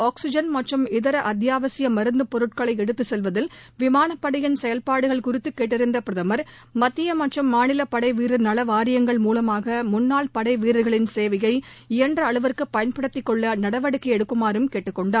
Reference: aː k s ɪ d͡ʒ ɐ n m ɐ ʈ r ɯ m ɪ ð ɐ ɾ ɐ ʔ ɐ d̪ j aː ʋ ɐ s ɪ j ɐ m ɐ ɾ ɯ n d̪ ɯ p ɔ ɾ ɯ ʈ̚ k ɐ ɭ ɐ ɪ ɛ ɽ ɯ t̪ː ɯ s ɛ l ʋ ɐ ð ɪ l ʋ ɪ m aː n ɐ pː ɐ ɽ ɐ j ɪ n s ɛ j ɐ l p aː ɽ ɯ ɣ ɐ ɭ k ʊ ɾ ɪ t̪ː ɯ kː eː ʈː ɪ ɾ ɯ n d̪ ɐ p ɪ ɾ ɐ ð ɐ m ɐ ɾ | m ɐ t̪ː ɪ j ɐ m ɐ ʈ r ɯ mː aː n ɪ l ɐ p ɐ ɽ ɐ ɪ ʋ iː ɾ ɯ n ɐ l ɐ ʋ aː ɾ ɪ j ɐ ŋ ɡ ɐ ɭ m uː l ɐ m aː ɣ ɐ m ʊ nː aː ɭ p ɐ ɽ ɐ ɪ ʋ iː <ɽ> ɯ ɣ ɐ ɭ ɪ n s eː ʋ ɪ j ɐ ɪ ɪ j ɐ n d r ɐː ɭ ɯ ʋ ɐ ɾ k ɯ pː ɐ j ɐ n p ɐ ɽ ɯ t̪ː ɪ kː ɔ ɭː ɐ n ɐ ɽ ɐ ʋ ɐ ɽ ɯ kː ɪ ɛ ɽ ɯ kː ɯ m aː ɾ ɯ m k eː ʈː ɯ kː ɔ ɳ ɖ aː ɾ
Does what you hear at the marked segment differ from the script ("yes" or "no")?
yes